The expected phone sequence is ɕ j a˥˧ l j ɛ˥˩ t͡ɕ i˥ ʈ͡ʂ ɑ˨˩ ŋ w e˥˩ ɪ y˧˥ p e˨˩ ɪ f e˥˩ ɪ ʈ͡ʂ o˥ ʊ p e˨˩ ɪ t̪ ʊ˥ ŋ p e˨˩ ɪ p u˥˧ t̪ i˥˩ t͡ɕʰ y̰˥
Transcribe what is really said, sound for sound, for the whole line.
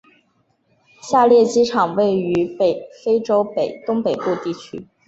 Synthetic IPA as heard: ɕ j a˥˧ l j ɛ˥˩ t͡ɕ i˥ ʈ͡ʂʰ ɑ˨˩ ŋ w e˥˩ ɪ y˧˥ p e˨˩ ɪ f e˥ ɪ ʈ͡ʂ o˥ ʊ p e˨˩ ɪ t̪ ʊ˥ ŋ p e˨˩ ɪ p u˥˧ t̪ i˥˩ t͡ɕʰ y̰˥